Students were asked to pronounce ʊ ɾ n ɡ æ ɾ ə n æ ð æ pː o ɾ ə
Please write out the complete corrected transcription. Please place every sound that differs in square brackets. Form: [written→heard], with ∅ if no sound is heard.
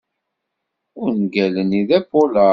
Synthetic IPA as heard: ʊ ɾ n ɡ æ [ɾ→l] ə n [æ→i] ð æ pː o [ɾ→l] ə